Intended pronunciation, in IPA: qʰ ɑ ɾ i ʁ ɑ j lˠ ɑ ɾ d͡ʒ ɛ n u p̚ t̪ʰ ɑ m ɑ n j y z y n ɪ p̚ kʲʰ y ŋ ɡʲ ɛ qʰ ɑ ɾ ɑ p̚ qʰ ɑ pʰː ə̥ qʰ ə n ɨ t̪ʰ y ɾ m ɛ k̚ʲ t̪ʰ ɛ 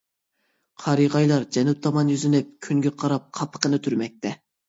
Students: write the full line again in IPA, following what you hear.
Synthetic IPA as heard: qʰ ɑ ɾ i ʁ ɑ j lˠ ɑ ɾ d͡ʒ ɛ n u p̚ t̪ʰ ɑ m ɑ n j y z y n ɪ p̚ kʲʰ y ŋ ɡʲ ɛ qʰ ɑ ɾ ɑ p̚ qʰ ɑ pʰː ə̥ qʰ ə n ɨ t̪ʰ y ɾ m ɛ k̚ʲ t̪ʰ ɛ